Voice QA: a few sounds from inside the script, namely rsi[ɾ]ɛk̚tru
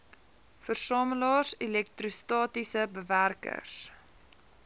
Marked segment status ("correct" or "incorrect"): incorrect